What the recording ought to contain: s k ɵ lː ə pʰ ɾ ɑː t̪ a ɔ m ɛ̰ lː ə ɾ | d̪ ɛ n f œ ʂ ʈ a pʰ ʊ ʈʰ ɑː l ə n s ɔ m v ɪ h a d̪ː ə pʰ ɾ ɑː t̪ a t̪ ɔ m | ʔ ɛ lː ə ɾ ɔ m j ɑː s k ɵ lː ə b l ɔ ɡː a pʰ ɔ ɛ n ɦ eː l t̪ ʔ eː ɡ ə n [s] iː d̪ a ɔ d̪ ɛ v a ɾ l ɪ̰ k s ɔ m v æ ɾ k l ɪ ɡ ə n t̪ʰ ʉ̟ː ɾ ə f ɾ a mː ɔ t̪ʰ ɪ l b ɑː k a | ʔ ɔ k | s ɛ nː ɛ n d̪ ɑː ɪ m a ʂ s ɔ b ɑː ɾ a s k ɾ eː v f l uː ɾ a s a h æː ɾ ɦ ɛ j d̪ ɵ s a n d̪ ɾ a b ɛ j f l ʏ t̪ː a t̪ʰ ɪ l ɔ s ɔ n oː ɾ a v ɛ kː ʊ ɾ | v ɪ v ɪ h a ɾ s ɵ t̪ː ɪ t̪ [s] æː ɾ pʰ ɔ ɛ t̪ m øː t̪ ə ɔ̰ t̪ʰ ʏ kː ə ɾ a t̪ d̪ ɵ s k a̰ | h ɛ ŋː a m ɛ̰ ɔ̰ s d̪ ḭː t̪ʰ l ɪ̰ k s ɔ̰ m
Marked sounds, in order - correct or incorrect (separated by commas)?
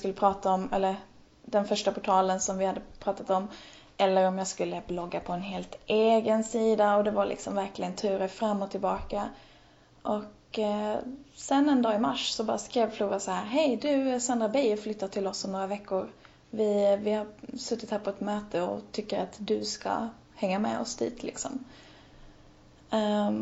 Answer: correct, incorrect